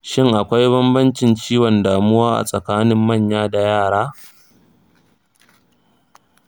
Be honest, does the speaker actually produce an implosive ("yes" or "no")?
no